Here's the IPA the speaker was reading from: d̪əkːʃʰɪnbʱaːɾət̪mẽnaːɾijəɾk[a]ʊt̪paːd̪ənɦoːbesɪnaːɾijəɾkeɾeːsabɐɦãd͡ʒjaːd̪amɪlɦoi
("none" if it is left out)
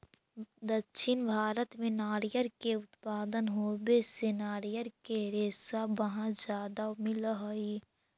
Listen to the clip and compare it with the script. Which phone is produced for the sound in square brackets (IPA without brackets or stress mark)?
e